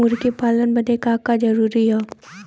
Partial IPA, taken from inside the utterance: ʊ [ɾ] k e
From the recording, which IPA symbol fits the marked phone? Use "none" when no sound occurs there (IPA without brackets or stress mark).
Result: ɾ